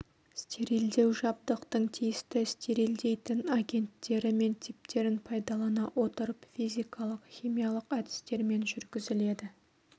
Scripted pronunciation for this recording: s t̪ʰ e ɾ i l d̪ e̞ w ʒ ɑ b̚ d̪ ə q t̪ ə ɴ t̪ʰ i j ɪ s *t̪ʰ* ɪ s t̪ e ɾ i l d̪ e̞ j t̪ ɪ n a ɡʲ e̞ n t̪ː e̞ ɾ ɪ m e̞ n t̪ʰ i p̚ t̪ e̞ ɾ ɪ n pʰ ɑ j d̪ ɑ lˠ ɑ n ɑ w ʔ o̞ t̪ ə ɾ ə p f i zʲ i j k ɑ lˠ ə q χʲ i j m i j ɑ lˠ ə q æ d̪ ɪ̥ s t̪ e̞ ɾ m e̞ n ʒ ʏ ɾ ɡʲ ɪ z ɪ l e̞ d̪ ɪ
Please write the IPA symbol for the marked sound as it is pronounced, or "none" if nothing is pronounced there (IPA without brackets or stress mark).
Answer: t̪